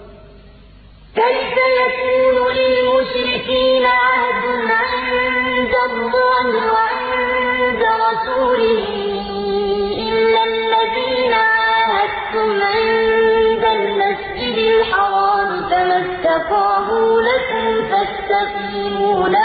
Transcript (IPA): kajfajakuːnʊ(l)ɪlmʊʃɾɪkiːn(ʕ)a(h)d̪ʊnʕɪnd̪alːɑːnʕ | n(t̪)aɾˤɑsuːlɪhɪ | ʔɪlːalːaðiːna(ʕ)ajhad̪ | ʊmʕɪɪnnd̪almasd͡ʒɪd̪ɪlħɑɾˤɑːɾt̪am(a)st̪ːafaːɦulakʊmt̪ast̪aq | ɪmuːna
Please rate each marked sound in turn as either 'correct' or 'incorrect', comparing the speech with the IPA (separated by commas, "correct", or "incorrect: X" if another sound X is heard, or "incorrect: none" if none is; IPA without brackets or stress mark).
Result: correct, correct, correct, incorrect: d̪, correct, correct